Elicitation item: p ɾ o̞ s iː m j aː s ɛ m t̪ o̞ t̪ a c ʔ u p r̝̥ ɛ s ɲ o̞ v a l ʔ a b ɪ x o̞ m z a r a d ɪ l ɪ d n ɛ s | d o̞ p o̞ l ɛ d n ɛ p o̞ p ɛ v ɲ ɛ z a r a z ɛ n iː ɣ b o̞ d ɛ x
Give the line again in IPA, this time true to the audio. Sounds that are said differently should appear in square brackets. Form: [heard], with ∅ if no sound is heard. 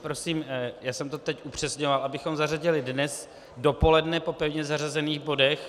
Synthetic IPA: p ɾ o̞ s iː m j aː s ɛ m t̪ o̞ t̪ [ɛ] c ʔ u p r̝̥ ɛ s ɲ o̞ v a l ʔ a b ɪ x o̞ m z a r a [ɟ] ɪ l ɪ d n ɛ s | d o̞ p o̞ l ɛ d n ɛ p o̞ p ɛ v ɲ ɛ z a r a z ɛ n iː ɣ b o̞ d ɛ x